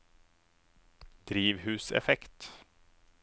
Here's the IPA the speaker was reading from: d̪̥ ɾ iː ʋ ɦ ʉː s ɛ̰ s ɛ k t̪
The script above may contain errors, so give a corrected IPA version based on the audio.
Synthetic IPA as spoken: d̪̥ ɾ iː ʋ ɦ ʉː s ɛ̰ f ɛ k t̪